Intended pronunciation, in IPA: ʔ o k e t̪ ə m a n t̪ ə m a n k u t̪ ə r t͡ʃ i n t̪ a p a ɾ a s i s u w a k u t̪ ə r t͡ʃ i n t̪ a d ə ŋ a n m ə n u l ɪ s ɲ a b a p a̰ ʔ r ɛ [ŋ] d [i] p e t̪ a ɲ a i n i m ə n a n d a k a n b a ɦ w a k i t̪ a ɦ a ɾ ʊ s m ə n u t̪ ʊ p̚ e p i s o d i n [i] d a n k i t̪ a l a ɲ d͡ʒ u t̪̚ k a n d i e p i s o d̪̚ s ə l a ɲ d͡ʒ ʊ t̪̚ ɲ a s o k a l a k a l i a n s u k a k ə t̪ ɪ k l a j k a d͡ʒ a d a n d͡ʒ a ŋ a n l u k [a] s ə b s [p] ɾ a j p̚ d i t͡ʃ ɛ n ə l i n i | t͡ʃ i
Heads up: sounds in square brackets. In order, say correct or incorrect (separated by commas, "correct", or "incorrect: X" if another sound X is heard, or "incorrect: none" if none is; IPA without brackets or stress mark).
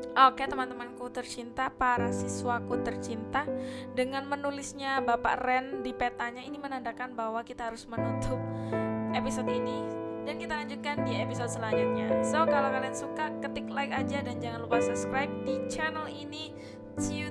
incorrect: n, correct, correct, correct, incorrect: k